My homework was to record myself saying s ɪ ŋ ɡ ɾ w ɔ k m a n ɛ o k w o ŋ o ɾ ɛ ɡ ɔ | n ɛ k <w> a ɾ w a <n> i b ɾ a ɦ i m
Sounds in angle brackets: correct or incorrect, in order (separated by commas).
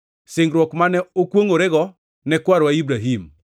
correct, incorrect